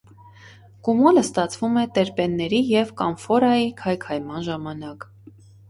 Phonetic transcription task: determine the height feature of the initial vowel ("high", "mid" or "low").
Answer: high